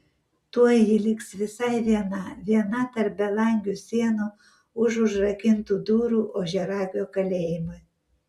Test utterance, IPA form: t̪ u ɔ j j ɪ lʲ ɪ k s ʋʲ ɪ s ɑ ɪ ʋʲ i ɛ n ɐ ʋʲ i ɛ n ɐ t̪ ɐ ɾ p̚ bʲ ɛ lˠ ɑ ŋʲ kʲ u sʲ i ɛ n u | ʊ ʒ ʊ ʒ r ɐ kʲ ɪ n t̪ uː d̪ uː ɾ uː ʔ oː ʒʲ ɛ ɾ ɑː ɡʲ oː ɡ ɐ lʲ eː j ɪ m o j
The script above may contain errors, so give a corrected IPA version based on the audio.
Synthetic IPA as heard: t̪ u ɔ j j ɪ lʲ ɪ k s ʋʲ ɪ s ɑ ɪ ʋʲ i ɛ n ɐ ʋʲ i ɛ n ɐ t̪ ɐ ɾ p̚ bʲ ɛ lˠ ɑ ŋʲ ɡʲ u sʲ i ɛ n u | ʊ ʒ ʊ ʒ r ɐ kʲ ɪ n t̪ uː d̪ uː ɾ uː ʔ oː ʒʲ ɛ ɾ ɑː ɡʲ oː k ɐ lʲ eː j ɪ m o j